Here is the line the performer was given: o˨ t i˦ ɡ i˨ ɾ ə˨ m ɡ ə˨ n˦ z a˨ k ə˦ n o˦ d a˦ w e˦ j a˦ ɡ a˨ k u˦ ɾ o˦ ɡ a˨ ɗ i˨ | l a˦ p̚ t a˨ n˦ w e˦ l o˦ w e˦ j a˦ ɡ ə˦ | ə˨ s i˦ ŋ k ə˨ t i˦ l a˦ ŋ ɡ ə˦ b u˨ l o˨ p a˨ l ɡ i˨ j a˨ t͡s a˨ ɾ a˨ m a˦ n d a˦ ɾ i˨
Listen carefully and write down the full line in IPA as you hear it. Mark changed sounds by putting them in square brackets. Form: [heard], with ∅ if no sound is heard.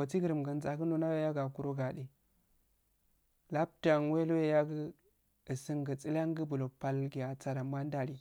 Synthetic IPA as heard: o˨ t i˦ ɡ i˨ ɾ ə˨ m ɡ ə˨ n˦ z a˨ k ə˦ n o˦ [n] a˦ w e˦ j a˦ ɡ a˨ k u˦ ɾ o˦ ɡ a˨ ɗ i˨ | l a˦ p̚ t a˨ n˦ w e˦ l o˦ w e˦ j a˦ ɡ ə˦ | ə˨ s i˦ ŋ [ɡ] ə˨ [t͡s] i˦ l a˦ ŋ ɡ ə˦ b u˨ l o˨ p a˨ l ɡ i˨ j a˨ t͡s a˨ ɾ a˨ m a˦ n d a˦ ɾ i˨